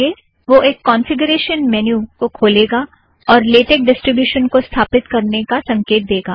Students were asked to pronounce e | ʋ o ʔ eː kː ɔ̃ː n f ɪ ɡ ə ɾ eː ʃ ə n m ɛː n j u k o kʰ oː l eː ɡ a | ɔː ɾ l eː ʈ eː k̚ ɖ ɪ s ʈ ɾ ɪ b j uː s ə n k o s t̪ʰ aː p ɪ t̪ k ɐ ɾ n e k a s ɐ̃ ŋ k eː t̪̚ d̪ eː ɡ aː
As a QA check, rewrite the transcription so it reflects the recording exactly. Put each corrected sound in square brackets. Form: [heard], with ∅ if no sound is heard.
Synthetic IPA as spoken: e | ʋ o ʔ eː kː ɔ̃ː n f ɪ ɡ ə ɾ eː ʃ ə n m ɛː n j u k o kʰ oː l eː ɡ a | ɔː ɾ l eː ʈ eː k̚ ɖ ɪ s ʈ ɾ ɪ b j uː [ʃ] ə n k o s t̪ʰ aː p ɪ t̪ k ɐ ɾ n e k a s ɐ̃ ŋ k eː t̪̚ d̪ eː ɡ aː